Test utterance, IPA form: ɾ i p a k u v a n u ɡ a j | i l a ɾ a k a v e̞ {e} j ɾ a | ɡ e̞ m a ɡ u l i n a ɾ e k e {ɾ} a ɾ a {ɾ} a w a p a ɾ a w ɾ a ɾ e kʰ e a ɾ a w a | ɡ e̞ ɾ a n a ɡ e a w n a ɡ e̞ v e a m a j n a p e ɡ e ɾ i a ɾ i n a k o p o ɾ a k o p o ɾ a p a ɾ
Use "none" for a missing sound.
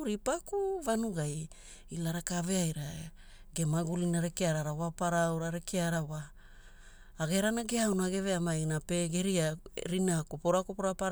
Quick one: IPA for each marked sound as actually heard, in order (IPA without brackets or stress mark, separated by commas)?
a, none, ɾ